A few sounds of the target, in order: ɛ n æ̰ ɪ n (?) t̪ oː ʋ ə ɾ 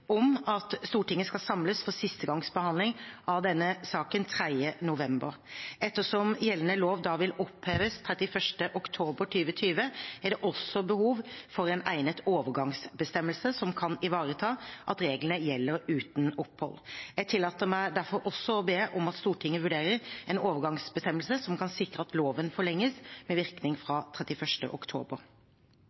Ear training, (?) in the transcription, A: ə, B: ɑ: A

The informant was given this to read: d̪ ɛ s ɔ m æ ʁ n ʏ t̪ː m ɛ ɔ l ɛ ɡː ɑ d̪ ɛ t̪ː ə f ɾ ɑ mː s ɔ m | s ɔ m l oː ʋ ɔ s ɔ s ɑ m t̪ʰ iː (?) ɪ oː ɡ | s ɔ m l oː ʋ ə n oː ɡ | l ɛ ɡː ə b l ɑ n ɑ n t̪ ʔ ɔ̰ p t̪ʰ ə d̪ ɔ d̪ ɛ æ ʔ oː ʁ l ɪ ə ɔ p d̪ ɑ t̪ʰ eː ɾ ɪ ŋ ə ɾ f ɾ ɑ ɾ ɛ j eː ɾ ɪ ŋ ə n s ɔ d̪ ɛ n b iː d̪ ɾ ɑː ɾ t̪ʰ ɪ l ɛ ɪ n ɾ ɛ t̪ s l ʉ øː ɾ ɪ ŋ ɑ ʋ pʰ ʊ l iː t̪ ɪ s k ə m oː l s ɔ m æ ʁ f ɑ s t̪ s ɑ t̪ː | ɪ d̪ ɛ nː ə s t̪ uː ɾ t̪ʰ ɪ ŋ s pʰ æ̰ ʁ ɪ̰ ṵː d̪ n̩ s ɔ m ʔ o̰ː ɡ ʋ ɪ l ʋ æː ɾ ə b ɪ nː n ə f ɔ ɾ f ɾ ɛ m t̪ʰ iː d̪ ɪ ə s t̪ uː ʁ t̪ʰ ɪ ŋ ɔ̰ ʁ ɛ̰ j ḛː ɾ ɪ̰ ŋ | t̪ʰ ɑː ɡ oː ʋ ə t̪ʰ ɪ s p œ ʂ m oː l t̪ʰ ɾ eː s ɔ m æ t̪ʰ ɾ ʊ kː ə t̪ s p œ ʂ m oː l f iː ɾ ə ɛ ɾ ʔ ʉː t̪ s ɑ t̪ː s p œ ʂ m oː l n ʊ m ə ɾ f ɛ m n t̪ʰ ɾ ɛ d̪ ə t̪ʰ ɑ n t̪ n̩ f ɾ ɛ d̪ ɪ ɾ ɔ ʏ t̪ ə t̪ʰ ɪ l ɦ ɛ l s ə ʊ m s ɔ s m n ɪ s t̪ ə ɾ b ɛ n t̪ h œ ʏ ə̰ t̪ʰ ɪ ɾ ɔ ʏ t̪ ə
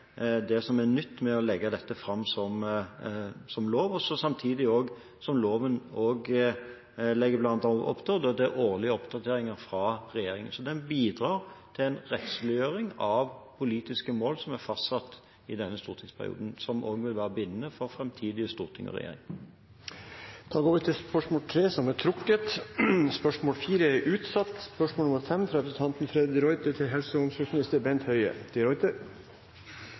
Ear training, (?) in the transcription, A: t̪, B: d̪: B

